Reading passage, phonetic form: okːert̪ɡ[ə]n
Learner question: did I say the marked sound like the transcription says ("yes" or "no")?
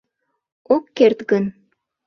yes